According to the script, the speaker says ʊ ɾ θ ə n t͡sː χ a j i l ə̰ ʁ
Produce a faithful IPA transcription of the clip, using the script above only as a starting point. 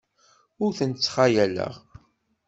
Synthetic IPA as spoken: ʊ ɾ θ ə n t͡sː χ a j æ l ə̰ ʁ